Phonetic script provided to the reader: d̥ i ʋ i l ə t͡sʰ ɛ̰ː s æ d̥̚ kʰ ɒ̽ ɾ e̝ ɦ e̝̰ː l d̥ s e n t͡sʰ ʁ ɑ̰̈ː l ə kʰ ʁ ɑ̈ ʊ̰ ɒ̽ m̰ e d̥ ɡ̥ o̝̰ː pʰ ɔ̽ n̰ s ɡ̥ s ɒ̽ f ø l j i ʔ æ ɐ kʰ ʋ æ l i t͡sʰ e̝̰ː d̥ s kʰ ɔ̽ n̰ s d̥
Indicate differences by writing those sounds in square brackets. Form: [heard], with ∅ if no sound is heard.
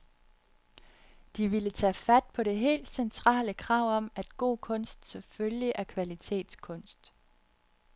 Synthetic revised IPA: d̥ i ʋ i l ə t͡sʰ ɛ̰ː [f] æ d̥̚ [pʰ] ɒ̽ ɾ e̝ ɦ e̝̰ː l d̥ s e n t͡sʰ ʁ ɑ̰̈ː l ə kʰ ʁ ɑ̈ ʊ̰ ɒ̽ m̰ [æ] d̥ ɡ̥ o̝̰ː [kʰ] ɔ̽ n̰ s [d̥] s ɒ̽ f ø l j i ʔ æ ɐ kʰ ʋ æ l i t͡sʰ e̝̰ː d̥ s kʰ ɔ̽ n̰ s d̥